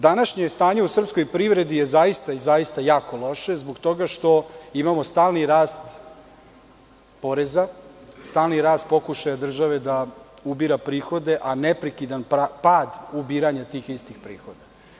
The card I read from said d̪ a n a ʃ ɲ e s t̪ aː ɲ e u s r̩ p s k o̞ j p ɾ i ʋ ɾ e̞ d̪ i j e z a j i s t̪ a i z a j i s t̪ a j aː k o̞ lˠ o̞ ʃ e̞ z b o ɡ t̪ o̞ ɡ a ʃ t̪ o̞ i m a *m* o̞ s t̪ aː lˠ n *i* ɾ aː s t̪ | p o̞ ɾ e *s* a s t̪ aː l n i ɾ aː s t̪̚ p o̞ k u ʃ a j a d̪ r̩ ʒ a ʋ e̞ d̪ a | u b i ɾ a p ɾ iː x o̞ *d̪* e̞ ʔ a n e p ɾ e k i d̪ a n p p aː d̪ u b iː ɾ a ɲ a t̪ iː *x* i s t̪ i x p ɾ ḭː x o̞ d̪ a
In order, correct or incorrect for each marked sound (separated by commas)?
correct, correct, incorrect, correct, correct